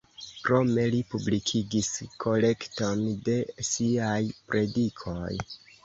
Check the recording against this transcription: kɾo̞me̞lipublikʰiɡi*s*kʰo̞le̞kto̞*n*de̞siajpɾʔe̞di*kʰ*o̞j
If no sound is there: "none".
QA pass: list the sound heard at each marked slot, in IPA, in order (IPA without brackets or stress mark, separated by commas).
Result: s, n, kʰ